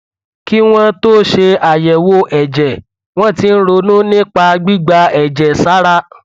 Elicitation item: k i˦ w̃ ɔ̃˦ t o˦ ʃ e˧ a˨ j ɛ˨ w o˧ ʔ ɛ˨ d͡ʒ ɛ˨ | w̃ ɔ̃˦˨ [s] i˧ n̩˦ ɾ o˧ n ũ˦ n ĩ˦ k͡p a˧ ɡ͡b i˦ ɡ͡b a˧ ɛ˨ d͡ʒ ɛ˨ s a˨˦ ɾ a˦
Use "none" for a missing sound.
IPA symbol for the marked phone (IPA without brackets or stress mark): t